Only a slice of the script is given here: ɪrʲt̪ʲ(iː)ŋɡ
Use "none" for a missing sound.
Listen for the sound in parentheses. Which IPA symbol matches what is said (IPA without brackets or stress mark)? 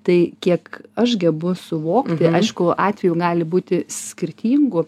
iː